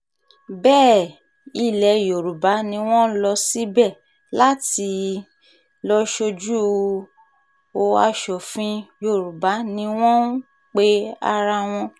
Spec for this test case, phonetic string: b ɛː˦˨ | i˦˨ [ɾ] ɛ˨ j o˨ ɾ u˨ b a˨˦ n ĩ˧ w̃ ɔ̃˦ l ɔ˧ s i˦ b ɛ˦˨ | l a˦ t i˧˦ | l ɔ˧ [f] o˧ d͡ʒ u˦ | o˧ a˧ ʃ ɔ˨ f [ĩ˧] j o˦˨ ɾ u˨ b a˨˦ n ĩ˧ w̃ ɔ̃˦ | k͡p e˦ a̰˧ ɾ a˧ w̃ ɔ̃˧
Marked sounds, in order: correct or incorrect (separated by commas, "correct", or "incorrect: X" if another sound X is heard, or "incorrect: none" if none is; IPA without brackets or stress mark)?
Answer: incorrect: l, incorrect: ʃ, correct